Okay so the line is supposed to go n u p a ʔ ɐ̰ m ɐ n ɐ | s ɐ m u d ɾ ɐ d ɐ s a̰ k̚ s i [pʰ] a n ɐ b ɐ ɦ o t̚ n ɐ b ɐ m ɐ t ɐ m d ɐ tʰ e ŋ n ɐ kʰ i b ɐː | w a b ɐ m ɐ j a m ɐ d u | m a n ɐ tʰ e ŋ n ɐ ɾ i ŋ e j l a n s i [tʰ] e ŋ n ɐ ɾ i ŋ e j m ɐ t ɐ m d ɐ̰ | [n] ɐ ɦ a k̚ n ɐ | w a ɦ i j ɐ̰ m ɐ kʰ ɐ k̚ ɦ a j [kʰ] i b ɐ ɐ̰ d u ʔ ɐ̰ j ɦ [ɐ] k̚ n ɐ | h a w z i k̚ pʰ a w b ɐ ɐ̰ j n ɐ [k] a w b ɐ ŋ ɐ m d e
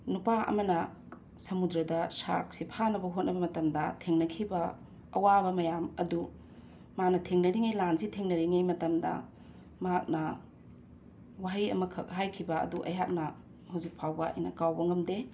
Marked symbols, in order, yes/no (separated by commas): yes, yes, no, yes, no, yes